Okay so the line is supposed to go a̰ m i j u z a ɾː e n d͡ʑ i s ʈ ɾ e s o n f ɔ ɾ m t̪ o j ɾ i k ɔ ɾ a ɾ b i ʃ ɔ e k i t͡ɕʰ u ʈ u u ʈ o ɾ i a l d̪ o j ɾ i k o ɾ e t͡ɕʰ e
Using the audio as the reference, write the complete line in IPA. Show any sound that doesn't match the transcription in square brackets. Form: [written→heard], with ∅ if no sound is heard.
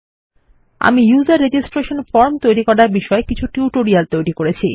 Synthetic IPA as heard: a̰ m i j u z a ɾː e [n→∅] d͡ʑ i s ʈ ɾ e [s→ʃ] o n f ɔ ɾ m t̪ o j ɾ i k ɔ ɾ a ɾ b i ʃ ɔ e k i t͡ɕʰ u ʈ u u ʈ o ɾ i a l [d̪→t̪] o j ɾ i k o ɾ e t͡ɕʰ [e→i]